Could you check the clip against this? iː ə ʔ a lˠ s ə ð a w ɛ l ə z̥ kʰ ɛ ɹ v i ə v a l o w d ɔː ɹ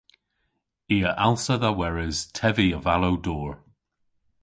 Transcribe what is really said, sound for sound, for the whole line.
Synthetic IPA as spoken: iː ə ʔ a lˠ s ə ð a w ɛ ɹ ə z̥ tʰ ɛ v i ə v a l o w d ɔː ɹ